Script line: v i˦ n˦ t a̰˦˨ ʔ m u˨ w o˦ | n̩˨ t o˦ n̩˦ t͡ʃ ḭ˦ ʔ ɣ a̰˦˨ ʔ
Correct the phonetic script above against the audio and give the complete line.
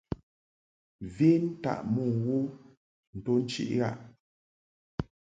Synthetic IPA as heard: v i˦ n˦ t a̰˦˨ ʔ m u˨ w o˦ | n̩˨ t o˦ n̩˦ t͡ʃ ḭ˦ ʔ ɣ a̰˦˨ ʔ